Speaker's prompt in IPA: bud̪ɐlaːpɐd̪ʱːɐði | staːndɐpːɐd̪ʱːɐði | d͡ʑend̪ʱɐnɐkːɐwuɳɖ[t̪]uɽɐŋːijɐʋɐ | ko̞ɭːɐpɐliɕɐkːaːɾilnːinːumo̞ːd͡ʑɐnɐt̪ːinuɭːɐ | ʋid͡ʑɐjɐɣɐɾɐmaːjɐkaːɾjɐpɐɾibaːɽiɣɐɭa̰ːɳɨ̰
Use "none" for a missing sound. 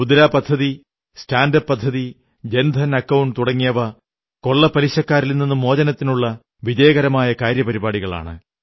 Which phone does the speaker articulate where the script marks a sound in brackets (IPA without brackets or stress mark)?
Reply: t̪